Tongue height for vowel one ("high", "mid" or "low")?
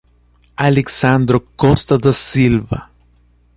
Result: low